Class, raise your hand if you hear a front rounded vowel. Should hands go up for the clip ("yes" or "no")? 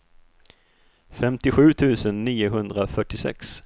yes